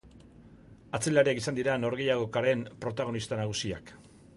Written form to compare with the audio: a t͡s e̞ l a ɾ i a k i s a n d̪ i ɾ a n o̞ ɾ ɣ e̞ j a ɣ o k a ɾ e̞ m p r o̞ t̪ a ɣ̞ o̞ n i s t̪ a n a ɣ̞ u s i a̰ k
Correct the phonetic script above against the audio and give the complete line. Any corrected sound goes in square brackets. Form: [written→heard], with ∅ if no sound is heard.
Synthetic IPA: a t͡s e̞ l a ɾ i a k i s a n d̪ i ɾ a n o̞ ɾ ɣ e̞ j a ɣ o k a ɾ e̞ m p [r→ɾ] o̞ t̪ a ɣ̞ o̞ n i s t̪ a n a ɣ̞ u s i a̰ k